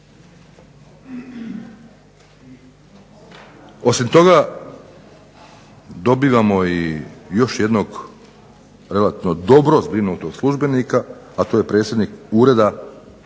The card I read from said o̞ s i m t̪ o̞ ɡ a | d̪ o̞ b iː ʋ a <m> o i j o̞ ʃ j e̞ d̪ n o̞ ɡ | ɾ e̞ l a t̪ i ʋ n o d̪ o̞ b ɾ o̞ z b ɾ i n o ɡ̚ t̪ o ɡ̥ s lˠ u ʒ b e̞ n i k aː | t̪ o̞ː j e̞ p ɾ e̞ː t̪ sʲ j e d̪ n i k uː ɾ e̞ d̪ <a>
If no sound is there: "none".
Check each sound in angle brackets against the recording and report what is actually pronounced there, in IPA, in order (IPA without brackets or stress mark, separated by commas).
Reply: m, a